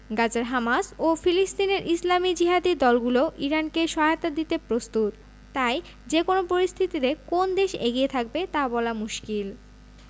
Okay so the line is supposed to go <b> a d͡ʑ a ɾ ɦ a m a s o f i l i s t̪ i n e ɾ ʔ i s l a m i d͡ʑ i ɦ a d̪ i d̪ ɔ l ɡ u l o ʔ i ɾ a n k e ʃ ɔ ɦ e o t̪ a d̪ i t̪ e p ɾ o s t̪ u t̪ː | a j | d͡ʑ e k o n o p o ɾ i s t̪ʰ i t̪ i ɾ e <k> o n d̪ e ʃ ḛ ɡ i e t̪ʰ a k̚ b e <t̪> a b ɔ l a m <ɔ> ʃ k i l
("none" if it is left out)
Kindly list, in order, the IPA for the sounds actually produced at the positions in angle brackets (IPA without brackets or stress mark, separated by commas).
ɡ, k, t̪, u